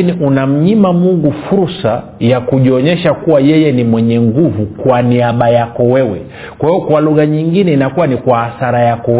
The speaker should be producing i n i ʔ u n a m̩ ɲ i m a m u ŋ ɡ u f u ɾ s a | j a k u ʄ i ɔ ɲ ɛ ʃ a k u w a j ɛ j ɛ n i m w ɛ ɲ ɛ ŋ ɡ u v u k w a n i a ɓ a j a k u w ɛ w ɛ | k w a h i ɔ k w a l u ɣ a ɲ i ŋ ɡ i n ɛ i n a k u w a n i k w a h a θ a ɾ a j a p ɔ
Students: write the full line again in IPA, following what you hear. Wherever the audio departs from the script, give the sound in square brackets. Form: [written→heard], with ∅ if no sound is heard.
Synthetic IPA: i n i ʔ u n a m̩ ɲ i m a m u ŋ ɡ u f u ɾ s a | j a k u ʄ i ɔ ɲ ɛ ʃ a k u w a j ɛ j ɛ n i m w ɛ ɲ ɛ ŋ ɡ u v u k w a n i a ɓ a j a k [u→ɔ] w ɛ w ɛ | k w a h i ɔ k w a l u ɣ a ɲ i ŋ ɡ i n ɛ i n a k u w a n i k w a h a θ a ɾ a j a [p→k] ɔ